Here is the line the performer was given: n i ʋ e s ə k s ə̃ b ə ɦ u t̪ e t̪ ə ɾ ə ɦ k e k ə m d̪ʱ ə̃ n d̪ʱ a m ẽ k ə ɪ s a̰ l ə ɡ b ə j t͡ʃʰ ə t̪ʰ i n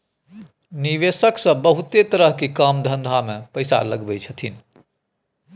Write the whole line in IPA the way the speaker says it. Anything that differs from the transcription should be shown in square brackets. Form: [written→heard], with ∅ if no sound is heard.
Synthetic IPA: n i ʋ e s ə k s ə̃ b ə ɦ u t̪ e t̪ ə ɾ ə ɦ k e k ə m d̪ʱ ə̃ n d̪ʱ a m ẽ [k→p] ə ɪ s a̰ l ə ɡ b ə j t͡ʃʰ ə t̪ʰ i n